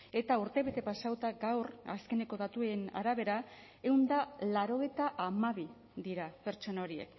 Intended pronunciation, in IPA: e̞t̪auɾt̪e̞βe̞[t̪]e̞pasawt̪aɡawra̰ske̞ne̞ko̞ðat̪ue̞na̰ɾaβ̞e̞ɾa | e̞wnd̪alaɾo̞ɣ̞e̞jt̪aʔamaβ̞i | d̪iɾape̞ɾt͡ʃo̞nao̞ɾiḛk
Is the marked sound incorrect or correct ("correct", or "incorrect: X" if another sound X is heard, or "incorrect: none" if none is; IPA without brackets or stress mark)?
correct